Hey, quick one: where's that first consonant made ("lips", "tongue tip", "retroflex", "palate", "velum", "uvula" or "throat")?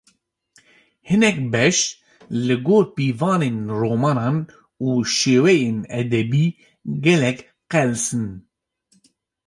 throat